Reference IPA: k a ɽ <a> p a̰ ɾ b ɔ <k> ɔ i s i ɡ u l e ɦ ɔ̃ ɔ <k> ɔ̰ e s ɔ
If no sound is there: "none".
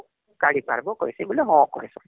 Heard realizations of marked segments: i, k, k

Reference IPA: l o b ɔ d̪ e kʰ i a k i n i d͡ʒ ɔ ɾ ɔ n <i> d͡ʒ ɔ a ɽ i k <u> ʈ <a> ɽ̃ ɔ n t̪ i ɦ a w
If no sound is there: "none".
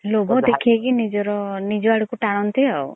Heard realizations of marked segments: i, u, a

